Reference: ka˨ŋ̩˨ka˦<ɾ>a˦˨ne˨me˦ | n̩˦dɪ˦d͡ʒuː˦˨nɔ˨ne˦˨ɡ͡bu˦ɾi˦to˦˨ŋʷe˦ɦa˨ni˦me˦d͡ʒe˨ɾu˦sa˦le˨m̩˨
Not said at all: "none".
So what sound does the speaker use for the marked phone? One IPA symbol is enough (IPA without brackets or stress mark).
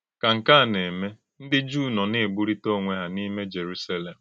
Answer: none